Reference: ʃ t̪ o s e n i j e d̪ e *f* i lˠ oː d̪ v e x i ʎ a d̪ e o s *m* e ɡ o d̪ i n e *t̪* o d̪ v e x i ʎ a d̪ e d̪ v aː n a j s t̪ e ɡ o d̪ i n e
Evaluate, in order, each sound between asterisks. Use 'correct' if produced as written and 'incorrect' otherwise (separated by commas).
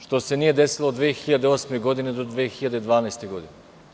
incorrect, correct, incorrect